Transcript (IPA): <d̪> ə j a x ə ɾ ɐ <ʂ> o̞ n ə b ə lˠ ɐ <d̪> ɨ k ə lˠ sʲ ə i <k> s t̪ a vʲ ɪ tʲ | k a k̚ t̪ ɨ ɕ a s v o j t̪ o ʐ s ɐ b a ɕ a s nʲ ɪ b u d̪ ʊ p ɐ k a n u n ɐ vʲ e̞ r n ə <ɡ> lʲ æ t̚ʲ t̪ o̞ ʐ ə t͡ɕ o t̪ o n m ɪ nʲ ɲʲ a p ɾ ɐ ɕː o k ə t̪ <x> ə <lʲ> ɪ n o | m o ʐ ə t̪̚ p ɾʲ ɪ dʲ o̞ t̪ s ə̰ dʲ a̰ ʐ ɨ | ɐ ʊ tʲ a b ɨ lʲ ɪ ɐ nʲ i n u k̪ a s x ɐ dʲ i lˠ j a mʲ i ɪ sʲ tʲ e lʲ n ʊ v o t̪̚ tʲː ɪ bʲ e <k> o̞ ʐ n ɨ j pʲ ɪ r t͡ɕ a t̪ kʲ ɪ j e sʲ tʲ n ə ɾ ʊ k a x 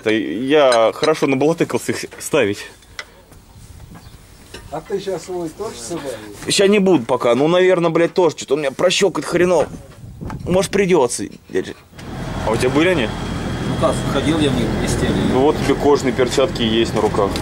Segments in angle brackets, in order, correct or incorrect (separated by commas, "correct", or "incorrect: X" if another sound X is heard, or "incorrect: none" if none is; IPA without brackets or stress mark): incorrect: t̪, correct, incorrect: t̪, incorrect: x, incorrect: b, correct, incorrect: ɾʲ, correct